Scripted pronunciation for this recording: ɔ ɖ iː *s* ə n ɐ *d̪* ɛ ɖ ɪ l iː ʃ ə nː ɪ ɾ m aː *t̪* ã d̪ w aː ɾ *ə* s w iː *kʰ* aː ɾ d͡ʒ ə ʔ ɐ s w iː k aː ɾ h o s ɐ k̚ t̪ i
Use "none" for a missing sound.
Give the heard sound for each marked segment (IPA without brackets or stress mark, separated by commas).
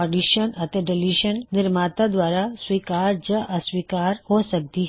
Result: ʃ, t̪, t̪, a, k